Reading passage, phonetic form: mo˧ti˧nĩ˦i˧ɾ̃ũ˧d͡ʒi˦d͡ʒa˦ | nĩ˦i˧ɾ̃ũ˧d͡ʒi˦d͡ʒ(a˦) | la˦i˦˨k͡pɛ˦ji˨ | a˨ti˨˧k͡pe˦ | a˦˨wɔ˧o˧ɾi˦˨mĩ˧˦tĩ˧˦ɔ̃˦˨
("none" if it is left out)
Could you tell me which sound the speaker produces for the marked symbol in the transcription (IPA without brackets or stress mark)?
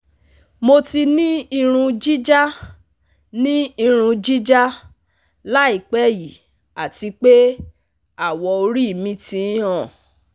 a˦